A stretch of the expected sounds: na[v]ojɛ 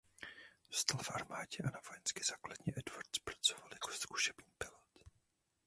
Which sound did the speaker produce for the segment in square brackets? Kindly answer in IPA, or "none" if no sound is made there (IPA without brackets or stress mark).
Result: v